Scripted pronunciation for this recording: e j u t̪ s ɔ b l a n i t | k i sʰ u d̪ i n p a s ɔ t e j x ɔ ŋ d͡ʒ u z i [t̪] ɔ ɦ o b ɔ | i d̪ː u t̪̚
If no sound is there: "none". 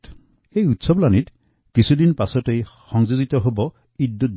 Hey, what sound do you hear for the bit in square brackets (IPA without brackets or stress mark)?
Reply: t̪